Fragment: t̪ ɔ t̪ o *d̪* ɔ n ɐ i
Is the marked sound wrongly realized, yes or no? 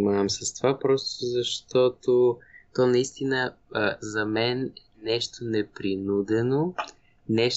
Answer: yes